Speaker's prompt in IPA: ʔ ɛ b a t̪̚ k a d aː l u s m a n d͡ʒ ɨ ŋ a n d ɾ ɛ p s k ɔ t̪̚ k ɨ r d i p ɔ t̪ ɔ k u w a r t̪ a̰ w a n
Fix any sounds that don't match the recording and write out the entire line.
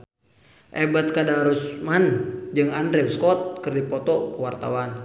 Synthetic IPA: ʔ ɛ b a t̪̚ k a d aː ɾ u s m a n d͡ʒ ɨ ŋ a n d ɾ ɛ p s k ɔ t̪̚ k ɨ r d i p ɔ t̪ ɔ k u w a r t̪ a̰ w a n